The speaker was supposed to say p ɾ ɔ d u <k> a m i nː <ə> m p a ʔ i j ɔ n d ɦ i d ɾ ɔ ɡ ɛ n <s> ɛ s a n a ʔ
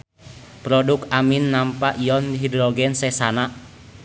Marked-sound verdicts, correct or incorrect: correct, incorrect, correct

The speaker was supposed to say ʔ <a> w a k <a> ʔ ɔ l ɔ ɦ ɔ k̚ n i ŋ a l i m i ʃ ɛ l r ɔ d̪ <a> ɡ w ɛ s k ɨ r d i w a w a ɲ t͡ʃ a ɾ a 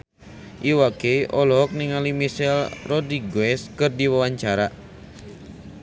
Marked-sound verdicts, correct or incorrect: incorrect, incorrect, incorrect

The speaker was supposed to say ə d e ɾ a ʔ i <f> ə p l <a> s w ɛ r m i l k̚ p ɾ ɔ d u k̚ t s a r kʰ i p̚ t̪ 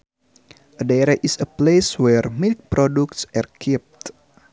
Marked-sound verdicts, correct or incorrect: incorrect, incorrect

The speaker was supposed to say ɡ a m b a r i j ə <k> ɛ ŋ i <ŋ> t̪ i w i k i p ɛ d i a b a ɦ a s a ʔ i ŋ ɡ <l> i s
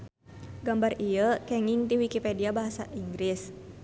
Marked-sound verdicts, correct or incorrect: correct, correct, incorrect

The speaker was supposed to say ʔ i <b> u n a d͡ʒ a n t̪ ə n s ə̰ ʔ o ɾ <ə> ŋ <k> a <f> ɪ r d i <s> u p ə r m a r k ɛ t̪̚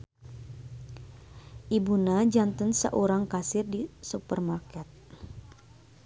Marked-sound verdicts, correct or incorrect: correct, incorrect, correct, incorrect, correct

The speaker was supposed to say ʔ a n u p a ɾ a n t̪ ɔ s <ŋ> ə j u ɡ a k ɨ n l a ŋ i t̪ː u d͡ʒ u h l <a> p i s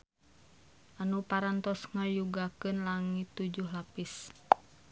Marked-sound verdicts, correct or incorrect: correct, correct

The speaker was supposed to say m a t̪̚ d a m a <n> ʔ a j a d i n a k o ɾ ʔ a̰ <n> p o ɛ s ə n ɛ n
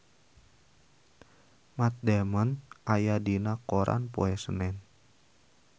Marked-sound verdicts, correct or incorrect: correct, correct

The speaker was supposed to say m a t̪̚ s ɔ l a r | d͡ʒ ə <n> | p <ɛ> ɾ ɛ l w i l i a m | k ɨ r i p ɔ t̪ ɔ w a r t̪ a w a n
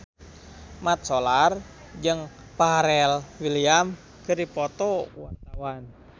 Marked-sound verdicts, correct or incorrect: incorrect, incorrect

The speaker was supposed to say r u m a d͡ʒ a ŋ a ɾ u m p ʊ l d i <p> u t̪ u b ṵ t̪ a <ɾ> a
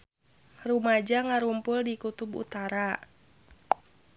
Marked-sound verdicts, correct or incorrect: incorrect, correct

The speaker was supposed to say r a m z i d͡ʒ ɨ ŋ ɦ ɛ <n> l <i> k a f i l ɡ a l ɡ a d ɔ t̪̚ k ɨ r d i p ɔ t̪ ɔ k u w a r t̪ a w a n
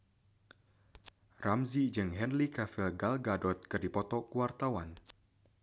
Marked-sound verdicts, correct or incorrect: correct, correct

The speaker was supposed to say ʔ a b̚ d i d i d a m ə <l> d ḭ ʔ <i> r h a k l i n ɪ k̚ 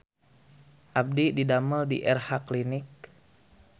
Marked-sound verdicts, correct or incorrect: correct, incorrect

